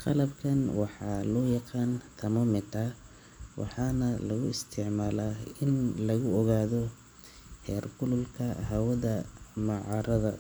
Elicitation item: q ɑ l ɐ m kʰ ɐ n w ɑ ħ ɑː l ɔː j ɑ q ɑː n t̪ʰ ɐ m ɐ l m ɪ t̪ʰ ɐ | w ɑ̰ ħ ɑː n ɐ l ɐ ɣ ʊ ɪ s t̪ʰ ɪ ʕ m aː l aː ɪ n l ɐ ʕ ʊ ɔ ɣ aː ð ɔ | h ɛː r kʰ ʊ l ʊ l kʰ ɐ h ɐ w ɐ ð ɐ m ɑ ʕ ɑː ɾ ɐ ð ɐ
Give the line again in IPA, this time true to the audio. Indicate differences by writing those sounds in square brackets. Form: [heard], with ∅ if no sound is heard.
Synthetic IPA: q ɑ l ɐ [b] kʰ ɐ n w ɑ ħ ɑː l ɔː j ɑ q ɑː n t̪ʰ ɐ m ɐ [∅] m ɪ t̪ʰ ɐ | w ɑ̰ ħ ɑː n ɐ l ɐ ɣ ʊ ɪ s t̪ʰ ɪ ʕ m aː l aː ɪ n l ɐ [ɣ] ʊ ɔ ɣ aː ð ɔ | h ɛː r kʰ ʊ l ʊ l kʰ ɐ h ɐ w ɐ ð ɐ m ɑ ʕ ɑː ɾ ɐ ð ɐ